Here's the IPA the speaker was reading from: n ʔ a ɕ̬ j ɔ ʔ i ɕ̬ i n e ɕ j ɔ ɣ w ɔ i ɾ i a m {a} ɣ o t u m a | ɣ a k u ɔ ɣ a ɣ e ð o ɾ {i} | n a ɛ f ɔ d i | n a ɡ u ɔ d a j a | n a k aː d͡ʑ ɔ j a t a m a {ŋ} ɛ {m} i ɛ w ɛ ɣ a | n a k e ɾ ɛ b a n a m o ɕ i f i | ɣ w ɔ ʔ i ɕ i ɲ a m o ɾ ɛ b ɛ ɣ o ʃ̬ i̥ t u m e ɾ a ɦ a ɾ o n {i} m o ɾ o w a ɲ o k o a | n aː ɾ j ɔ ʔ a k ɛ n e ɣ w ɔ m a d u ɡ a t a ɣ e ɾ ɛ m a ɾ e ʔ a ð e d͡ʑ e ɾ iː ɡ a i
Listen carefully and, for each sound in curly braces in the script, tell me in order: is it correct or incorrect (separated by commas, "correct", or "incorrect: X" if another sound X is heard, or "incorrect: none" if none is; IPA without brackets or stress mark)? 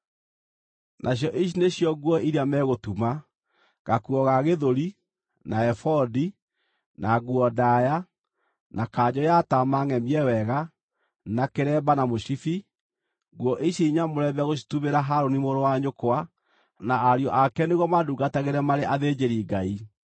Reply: incorrect: ɛ, correct, correct, correct, correct